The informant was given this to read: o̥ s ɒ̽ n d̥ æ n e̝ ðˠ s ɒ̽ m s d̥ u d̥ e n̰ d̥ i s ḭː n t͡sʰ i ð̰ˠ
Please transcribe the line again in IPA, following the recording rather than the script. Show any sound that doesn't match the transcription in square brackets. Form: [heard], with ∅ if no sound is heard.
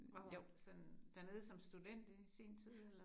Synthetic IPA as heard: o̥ s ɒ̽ n d̥ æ n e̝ ðˠ s ɒ̽ m s d̥ u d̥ e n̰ d̥ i s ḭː n t͡sʰ i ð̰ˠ